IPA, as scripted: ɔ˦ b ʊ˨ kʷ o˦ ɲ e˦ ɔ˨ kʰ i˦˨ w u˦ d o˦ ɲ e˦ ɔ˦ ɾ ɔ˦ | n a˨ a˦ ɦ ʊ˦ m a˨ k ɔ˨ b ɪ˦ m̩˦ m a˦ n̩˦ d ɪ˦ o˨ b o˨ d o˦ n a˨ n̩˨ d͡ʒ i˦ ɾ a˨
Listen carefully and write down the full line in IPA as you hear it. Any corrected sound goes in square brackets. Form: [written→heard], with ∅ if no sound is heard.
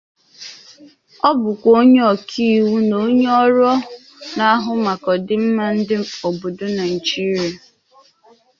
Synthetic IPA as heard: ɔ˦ b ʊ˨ kʷ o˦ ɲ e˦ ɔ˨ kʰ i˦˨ w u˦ [d→n] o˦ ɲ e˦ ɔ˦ ɾ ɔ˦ | n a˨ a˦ ɦ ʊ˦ m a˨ k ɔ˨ [b→d] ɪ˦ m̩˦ m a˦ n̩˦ d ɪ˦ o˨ b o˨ d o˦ n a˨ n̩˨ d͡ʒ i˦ ɾ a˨